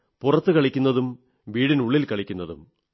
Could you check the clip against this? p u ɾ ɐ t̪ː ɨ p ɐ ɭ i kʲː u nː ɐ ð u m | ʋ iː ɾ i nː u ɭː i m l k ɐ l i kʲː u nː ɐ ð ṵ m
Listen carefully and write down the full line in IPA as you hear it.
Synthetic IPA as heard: p u r ɐ t̪ː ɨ k ɐ ɭ i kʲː u nː ɐ ð u m | ʋ iː ɽ i n u ɭː i l k ɐ ɭ i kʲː u nː ɐ ð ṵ m

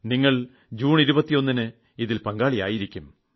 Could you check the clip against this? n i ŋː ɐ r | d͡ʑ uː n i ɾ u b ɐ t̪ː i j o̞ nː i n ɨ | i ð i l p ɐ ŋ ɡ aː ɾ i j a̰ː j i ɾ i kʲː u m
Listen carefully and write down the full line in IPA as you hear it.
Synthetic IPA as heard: n i ŋː ɐ ɭ | d͡ʑ uː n i ɾ u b ɐ t̪ː i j o̞ nː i n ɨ | i ð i l p ɐ ŋ ɡ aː ɭ i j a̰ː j i ɾ i kʲː u m

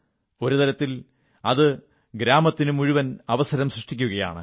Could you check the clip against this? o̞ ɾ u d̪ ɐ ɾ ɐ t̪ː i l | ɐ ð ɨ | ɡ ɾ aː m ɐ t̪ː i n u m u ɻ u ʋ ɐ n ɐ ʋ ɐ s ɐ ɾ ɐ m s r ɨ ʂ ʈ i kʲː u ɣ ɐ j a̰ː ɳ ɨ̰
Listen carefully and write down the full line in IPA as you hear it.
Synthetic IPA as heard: o̞ ɾ u t̪ ɐ ɾ ɐ t̪ː i l | ɐ ð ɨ | ɡ ɾ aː m ɐ t̪ː i n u m u ɻ u ʋ ɐ n ɐ ʋ ɐ s ɐ ɾ ɐ m s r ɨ ʂ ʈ i kʲː u ɣ ɐ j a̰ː ɳ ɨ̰

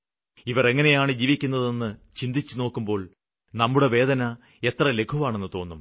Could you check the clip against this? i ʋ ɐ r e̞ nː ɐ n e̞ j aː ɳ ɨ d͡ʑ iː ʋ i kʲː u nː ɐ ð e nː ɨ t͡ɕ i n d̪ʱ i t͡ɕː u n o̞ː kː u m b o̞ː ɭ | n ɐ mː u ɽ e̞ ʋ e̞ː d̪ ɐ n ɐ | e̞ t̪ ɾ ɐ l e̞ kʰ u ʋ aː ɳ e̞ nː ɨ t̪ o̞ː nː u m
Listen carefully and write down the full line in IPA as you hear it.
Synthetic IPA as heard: i ʋ ɐ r e̞ ŋː ɐ n e̞ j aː ɳ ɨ d͡ʑ iː ʋ i kʲː u nː ɐ ð e nː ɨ t͡ɕ i n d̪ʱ i t͡ɕː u n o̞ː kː u m b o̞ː ɭ | n ɐ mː u ɽ e̞ ʋ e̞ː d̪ ɐ n ɐ | e̞ t̪ r ɐ l e̞ kʰ u ʋ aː ɳ e̞ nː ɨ t̪ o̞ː nː u m

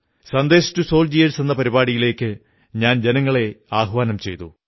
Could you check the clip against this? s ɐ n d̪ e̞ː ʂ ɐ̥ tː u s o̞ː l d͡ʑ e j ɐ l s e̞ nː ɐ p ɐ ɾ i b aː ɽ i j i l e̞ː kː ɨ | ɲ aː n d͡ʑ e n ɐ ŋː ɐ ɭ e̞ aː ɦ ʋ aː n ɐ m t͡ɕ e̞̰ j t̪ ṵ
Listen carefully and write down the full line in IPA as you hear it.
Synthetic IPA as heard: s ɐ n d̪ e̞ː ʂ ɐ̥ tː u s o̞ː l d͡ʑ i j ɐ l s e̞ nː ɐ p ɐ ɾ i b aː ɽ i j i l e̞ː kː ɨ | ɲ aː n d͡ʑ e n ɐ ŋː ɐ ɭ e̞ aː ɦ ʋ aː n ɐ m t͡ɕ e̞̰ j t̪ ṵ

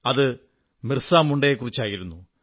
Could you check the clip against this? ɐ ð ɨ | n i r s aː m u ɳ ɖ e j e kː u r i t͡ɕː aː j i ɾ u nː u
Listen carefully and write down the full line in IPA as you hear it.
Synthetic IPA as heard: ɐ ð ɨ | m i r s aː m u ɳ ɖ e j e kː u r i t͡ɕː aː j i ɾ u nː u

